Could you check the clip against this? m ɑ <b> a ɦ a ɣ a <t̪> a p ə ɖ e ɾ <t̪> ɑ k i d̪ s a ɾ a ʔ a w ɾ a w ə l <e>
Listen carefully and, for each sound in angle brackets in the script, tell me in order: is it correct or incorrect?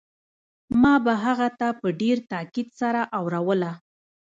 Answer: correct, correct, correct, incorrect: a

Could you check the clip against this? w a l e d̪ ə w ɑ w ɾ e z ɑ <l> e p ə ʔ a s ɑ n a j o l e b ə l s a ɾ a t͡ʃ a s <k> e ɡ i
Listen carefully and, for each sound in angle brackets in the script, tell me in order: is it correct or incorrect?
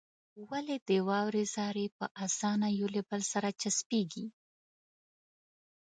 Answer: incorrect: ɾ, incorrect: p

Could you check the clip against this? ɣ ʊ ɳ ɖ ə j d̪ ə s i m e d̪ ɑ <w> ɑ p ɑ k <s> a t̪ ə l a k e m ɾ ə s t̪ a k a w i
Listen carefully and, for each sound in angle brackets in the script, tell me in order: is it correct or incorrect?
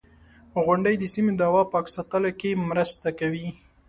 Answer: correct, correct

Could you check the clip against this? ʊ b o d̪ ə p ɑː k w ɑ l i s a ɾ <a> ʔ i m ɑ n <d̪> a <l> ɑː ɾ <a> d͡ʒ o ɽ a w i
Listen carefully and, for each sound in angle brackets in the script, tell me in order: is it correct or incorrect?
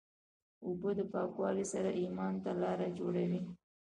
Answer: correct, incorrect: t̪, correct, correct

